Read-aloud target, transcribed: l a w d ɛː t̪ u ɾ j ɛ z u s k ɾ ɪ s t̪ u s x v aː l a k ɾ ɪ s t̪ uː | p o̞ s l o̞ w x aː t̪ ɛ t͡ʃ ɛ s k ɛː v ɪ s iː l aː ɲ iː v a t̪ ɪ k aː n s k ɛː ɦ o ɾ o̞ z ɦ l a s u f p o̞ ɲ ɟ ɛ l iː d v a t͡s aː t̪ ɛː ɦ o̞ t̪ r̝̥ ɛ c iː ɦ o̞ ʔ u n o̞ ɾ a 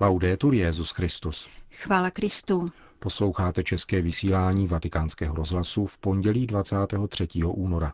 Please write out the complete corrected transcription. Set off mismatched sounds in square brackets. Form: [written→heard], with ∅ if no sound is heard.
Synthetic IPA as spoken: l a w d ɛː t̪ u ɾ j ɛ z u s k ɾ ɪ s t̪ u s x v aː l a k ɾ ɪ s t̪ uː | p o̞ s l o̞ w x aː t̪ ɛ t͡ʃ ɛ s k ɛː v ɪ s iː l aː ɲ iː v a t̪ ɪ k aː n s k ɛː ɦ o ɾ o̞ z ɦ l a s u f p o̞ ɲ ɟ ɛ l iː d v a t͡s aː t̪ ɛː ɦ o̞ t̪ r̝̥ ɛ c iː ɦ o̞ ʔ [u→uː] n o̞ ɾ a